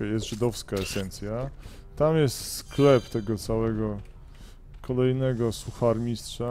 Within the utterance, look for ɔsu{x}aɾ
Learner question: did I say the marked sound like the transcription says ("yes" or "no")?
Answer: yes